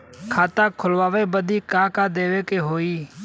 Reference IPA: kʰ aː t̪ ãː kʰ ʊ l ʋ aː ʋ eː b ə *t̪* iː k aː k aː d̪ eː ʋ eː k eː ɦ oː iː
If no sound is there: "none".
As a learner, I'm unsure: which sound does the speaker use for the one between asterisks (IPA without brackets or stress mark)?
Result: d̪